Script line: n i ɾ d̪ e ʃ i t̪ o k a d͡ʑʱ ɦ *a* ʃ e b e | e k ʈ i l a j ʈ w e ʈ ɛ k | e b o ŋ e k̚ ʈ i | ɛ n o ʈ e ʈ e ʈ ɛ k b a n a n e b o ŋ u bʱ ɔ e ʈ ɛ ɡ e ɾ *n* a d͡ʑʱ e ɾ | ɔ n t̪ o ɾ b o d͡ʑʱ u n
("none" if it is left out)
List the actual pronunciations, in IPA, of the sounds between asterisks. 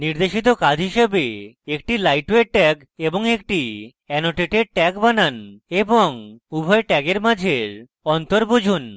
i, m

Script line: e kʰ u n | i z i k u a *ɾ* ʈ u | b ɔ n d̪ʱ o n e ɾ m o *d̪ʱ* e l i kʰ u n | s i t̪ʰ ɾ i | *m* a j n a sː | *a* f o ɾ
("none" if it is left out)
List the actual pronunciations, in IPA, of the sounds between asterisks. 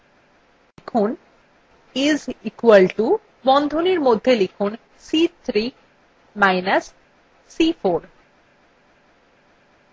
l, d̪ʱː, m, i

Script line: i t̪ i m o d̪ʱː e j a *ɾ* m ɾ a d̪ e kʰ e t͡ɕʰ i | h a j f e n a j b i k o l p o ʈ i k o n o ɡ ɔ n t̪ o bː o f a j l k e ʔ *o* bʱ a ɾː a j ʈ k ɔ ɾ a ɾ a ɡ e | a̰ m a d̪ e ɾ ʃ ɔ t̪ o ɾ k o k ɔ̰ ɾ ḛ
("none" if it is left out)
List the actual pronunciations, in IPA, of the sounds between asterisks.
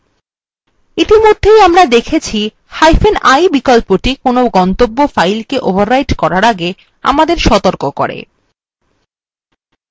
none, o

